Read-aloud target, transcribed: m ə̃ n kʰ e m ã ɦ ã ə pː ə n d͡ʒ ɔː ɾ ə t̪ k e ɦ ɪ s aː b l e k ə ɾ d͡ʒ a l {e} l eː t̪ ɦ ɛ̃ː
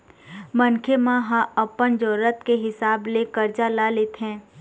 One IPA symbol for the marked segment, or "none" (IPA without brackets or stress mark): a